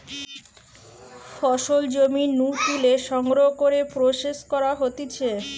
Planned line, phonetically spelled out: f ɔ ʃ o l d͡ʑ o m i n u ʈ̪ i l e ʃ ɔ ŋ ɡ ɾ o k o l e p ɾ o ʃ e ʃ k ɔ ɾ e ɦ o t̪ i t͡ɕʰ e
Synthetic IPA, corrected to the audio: f ɔ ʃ o l d͡ʑ o m i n u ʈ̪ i l e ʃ ɔ ŋ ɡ ɾ o k o ɾ e p ɾ o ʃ e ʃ k ɔ ɾ a ɦ o t̪ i t͡ɕʰ e